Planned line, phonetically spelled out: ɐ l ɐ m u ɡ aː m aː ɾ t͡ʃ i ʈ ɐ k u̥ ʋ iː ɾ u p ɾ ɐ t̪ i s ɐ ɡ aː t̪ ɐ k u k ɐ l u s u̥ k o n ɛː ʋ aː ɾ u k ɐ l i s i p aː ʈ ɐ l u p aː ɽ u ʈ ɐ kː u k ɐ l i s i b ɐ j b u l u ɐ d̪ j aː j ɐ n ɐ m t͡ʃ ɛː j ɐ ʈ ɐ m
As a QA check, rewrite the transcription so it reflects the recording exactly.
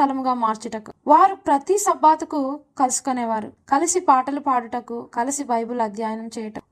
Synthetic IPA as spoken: ɐ l ɐ m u ɡ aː m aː ɾ t͡ʃ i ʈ ɐ k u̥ ʋ aː ɾ u p ɾ ɐ t̪ i s ɐ b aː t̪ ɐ k u k ɐ l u s u̥ k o n ɛː ʋ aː ɾ u k ɐ l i s i p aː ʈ ɐ l u p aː ɽ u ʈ ɐ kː u k ɐ l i s i b ɐ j b u l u ɐ d̪ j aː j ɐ n ɐ m t͡ʃ ɛː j ɐ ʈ ɐ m